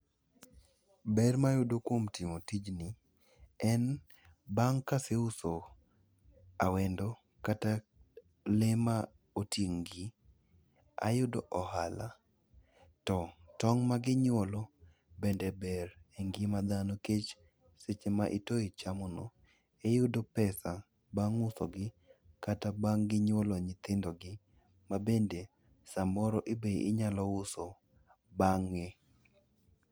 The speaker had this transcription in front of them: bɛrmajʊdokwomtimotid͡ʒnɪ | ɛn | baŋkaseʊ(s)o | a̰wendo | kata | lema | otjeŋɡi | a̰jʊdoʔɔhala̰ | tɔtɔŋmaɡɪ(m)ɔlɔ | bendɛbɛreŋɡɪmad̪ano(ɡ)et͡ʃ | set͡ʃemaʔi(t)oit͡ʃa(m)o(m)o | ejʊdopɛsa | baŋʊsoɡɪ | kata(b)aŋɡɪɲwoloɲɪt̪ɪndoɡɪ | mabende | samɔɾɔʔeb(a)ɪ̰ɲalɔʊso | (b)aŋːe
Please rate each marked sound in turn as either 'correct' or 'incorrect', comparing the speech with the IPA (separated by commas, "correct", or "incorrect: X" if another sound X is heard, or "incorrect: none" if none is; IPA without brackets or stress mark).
correct, incorrect: ɲ, incorrect: k, correct, correct, incorrect: n, correct, incorrect: e, correct